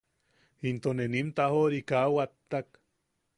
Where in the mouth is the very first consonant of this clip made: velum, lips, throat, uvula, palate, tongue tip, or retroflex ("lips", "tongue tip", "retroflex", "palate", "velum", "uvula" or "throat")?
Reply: tongue tip